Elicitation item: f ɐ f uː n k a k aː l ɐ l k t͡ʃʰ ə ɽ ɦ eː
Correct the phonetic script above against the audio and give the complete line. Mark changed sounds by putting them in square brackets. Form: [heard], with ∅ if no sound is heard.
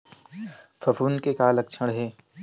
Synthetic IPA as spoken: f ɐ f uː n k [e] k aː l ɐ [∅] k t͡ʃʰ ə ɽ ɦ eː